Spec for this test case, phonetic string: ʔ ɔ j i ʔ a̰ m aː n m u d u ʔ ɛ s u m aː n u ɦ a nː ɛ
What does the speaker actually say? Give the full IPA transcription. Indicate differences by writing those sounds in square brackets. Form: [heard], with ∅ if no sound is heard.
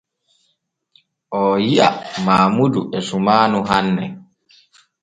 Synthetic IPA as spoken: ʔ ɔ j i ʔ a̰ m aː [∅] m u d u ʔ ɛ s u m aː n u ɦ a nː ɛ